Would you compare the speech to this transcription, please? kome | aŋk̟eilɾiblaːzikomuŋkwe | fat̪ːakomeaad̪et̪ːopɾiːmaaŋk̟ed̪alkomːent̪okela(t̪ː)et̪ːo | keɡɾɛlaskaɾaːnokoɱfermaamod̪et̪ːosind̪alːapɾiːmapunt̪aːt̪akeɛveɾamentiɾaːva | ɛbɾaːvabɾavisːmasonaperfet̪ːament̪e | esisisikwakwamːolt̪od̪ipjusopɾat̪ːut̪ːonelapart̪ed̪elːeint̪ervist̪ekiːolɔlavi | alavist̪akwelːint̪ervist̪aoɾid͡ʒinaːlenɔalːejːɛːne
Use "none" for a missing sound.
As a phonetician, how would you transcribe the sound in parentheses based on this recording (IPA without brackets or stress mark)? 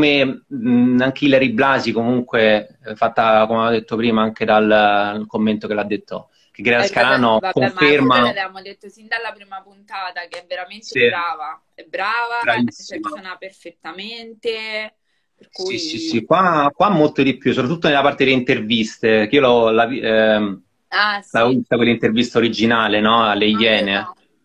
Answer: d̪ː